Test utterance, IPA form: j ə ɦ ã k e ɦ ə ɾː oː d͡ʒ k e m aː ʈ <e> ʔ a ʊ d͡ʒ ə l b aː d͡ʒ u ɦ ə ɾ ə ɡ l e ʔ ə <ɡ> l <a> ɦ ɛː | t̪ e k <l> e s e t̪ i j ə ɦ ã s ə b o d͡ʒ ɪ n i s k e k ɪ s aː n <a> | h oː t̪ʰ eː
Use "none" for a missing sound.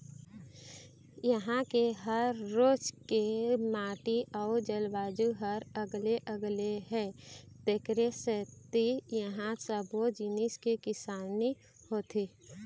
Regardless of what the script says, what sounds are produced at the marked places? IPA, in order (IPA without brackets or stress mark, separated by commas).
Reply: i, ɡ, e, ɾ, i